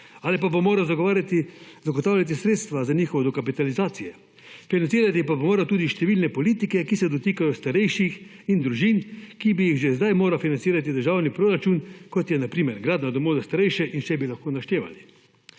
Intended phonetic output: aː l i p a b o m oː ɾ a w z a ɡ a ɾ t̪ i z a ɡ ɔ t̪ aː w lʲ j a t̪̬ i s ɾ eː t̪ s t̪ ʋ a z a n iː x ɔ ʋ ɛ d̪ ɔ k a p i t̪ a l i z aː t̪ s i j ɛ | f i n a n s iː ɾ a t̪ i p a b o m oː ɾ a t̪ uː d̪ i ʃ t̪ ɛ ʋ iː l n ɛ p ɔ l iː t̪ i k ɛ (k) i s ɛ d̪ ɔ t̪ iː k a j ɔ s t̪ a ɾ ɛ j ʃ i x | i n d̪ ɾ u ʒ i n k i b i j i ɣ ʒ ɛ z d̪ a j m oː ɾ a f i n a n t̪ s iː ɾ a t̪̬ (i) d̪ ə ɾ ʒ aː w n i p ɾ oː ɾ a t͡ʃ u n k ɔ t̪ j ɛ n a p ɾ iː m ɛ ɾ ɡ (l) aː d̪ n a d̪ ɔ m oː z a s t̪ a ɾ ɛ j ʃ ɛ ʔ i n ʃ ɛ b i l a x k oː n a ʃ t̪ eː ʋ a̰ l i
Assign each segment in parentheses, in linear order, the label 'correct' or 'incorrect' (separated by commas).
correct, correct, incorrect